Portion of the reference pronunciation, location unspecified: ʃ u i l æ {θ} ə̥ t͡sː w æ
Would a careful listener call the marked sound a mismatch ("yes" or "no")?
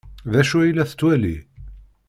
no